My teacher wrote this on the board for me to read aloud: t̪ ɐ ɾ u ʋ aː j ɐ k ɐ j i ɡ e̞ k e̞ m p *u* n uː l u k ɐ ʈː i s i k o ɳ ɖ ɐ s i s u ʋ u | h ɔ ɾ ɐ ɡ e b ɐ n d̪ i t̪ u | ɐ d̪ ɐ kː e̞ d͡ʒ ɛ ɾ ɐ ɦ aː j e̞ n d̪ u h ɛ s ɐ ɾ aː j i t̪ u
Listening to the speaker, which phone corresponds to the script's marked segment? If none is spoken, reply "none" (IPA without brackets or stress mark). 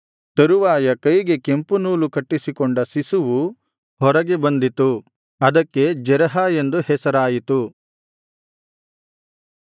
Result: u